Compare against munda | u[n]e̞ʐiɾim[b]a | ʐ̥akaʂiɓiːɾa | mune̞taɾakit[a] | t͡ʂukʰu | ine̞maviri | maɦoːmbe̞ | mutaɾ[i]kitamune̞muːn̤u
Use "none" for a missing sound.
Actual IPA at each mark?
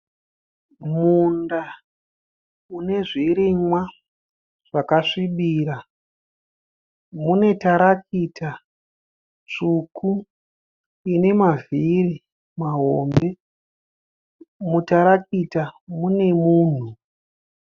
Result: n, w, a, a

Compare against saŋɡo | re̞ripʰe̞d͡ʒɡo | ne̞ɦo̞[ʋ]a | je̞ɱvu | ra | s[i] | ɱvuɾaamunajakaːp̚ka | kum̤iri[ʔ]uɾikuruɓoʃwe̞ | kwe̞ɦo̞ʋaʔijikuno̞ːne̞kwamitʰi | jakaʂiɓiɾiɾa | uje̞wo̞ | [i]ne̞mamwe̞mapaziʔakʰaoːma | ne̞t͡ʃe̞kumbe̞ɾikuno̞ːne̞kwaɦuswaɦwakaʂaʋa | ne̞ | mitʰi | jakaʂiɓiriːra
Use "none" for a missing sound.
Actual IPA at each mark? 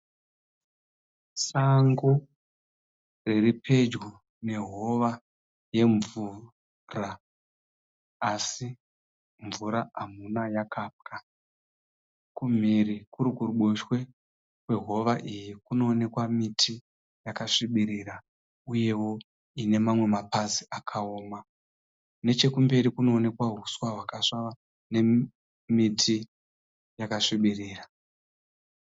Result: ʋ, i, k, i

